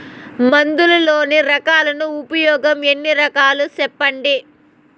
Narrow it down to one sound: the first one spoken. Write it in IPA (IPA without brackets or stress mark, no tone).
m